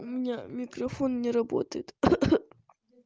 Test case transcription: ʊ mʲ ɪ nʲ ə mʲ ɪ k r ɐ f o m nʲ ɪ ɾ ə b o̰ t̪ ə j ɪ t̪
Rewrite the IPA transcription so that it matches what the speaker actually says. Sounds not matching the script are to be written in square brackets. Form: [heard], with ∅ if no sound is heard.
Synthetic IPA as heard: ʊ mʲ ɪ nʲ [a] mʲ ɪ k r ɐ f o [n] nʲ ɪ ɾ [ɐ] b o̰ t̪ ə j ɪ t̪